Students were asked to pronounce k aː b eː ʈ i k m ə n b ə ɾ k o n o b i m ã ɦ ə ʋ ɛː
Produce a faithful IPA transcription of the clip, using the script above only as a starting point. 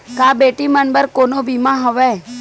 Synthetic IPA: k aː b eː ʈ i m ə n b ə ɾ k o n o b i m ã ɦ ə ʋ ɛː

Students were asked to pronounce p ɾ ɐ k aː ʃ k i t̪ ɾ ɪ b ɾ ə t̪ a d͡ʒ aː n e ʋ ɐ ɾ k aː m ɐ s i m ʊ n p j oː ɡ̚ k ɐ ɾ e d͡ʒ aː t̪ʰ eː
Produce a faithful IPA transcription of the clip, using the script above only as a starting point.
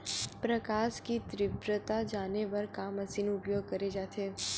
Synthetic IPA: p ɾ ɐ k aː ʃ k i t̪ ɾ ɪ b ɾ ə t̪ a d͡ʒ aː n e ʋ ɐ ɾ k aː m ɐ s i n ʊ p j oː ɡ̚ k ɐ ɾ e d͡ʒ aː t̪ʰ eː

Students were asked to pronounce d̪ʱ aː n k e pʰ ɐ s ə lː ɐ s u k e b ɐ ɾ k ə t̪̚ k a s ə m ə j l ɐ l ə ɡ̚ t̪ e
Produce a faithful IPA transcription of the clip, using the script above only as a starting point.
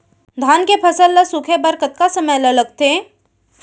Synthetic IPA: d̪ʱ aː n k e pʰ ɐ s ə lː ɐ s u kʰ e b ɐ ɾ k ə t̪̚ k a s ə m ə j l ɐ l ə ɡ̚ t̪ e

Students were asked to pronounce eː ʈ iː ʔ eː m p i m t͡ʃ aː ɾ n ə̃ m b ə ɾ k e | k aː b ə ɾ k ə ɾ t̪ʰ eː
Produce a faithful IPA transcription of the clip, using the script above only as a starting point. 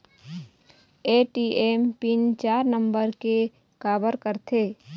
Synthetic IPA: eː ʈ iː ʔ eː m p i n t͡ʃ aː ɾ n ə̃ m b ə ɾ k e | k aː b ə ɾ k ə ɾ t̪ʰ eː

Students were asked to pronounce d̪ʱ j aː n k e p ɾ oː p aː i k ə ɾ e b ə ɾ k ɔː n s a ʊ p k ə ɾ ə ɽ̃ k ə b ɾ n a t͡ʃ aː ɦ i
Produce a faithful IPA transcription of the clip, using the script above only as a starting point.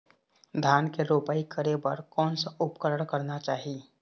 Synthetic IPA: d̪ʱ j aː n k e ɾ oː p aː i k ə ɾ e b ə ɾ k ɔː n s a ʊ p k ə ɾ ə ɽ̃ k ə ɾ n a t͡ʃ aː ɦ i

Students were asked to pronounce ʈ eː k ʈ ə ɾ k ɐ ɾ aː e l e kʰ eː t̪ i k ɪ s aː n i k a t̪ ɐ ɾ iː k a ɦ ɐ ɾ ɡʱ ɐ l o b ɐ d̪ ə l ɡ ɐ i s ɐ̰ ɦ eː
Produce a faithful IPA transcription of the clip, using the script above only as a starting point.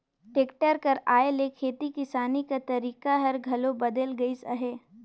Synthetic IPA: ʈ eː k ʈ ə ɾ k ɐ ɾ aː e l e kʰ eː t̪ i k ɪ s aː n i k a t̪ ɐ ɾ iː k a ɦ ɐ ɾ ɡʱ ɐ l o b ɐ d̪ ə l ɡ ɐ i s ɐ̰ ɦ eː

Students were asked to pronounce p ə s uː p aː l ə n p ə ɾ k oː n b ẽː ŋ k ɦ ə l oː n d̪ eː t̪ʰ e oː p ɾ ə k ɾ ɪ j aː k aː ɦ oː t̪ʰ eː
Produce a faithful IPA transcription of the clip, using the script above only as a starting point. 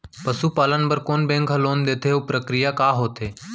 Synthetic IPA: p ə s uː p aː l ə n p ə ɾ k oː n b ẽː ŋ k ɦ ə l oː n d̪ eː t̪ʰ e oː p ɾ ə k ɾ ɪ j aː k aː ɦ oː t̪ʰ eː

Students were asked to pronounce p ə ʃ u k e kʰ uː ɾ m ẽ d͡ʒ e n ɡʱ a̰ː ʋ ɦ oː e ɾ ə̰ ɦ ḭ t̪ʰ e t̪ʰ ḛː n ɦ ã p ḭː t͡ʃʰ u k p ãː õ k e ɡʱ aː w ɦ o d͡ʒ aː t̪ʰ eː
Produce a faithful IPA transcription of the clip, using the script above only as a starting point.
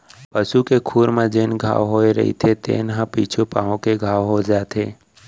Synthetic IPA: p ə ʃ u k e kʰ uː ɾ m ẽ d͡ʒ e n ɡʱ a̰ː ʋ ɦ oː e ɾ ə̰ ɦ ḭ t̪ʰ e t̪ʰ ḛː n ɦ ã p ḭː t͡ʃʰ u p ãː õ k e ɡʱ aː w ɦ o d͡ʒ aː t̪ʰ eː

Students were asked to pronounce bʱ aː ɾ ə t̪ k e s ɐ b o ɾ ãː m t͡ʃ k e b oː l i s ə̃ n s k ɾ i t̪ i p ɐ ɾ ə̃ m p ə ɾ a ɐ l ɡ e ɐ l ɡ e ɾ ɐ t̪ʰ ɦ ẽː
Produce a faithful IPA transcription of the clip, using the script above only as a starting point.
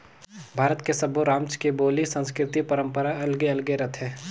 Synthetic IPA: bʱ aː ɾ ə t̪ k e s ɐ b o ɾ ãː m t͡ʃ k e b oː l i s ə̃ n s k ɾ ɪ t̪ i p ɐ ɾ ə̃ m p ə ɾ a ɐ l ɡ e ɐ l ɡ e ɾ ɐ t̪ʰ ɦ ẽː

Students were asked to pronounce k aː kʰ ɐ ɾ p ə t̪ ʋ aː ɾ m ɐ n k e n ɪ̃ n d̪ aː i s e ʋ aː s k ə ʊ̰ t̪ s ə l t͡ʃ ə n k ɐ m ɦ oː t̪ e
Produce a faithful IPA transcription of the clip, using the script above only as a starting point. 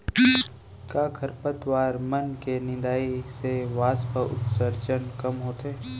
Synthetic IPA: k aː kʰ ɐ ɾ p ə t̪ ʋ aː ɾ m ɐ n k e n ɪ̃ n d̪ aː i s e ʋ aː s p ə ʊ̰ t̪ s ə ɾ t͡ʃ ə n k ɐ m ɦ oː t̪ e

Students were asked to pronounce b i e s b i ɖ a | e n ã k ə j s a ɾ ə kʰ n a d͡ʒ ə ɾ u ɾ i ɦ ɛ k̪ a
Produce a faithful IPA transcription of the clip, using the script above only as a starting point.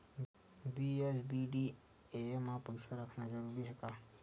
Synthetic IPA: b i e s b i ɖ i | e m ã p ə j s a ɾ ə kʰ n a d͡ʒ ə ɾ u ɾ i ɦ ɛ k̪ a

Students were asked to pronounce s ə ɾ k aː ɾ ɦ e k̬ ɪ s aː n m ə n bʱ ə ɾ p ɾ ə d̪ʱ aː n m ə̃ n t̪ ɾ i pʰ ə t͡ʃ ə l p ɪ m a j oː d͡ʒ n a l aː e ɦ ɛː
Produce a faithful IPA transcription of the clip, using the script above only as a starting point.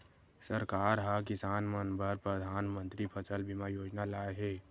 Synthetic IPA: s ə ɾ k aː ɾ ɦ a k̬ ɪ s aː n m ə n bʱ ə ɾ p ɾ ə d̪ʱ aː n m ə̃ n t̪ ɾ i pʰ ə t͡ʃ ə l b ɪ m a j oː d͡ʒ n a l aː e ɦ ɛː

